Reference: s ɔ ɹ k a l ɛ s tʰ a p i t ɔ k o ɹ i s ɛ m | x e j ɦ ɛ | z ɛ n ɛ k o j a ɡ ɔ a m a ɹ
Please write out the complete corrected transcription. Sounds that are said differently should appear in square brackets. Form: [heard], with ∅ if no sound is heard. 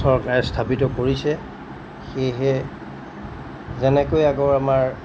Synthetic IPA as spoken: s ɔ ɹ k a [ɹ] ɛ s tʰ a p i t ɔ k o ɹ i s ɛ [∅] | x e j ɦ ɛ | z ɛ n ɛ k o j a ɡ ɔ a m a ɹ

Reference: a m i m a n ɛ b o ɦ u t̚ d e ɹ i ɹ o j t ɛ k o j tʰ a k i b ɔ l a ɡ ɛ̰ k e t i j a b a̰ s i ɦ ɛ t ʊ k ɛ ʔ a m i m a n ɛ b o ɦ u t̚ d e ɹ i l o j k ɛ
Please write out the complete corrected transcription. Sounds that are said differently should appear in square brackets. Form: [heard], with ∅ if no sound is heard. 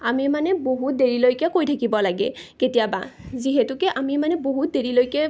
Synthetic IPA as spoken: a m i m a n ɛ b o ɦ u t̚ d e ɹ i [l] o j [k] ɛ k o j tʰ a k i b ɔ l a ɡ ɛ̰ k e t i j a b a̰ [z] i ɦ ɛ t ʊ k ɛ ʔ a m i m a n ɛ b o ɦ u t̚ d e ɹ i l o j k ɛ

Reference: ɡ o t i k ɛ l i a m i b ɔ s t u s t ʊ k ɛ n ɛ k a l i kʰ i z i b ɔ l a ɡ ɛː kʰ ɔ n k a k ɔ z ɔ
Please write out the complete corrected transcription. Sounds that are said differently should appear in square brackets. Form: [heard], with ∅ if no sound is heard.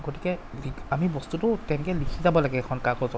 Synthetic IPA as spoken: ɡ o t i k ɛ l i a m i b ɔ s t u [∅] t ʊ [t] ɛ n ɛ k [ɛ] l i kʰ i z [a] b ɔ l a ɡ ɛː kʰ ɔ n k a k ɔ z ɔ

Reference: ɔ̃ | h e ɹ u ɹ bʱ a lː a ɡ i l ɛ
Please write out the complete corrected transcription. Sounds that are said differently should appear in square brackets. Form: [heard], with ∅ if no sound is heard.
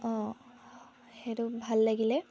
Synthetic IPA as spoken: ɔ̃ | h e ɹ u [∅] bʱ a lː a ɡ i l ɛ

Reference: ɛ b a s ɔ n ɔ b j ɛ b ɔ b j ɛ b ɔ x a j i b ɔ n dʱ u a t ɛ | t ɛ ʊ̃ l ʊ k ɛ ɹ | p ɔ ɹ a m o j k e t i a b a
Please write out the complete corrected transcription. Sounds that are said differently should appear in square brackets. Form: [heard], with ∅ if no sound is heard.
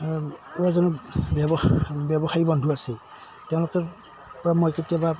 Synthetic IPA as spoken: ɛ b a [z] ɔ n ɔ b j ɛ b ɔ b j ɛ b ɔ x a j i b ɔ n dʱ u a [s] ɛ | t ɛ ʊ̃ l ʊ k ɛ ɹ | p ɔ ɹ a m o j k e t i a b a

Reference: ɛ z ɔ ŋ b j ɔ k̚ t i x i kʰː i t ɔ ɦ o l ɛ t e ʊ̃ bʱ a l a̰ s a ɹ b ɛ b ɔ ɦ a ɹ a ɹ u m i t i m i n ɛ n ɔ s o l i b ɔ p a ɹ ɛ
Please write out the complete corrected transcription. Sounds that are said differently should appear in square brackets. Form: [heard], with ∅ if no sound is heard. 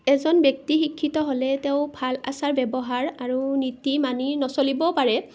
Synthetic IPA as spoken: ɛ z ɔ [n] b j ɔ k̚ t i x i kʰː i t ɔ ɦ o l ɛ t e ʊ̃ bʱ a l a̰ s a ɹ b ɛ b ɔ ɦ a ɹ a ɹ u [n] i t i m [a] n [i] n ɔ s o l i b ɔ p a ɹ ɛ

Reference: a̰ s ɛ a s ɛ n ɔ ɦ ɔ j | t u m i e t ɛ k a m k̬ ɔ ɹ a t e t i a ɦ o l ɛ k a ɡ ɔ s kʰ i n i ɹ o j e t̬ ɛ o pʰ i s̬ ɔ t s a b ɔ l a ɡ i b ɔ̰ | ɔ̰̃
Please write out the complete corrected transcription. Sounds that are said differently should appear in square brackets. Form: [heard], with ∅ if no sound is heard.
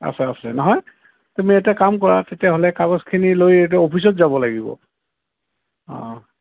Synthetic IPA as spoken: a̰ s ɛ a s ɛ n ɔ ɦ ɔ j | t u m i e t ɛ k a m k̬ ɔ ɹ a t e t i a ɦ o l ɛ k a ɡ ɔ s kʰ i n i [l] o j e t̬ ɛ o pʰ i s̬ ɔ t [z] a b ɔ l a ɡ i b ɔ̰ | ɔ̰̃

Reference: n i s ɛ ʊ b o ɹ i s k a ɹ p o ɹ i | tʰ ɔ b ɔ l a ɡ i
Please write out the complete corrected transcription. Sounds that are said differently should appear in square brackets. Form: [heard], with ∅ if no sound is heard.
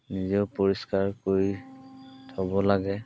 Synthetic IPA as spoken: n i [z] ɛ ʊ [p] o ɹ i s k a ɹ [k] o ɹ i | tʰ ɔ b ɔ l a ɡ [ɛ]

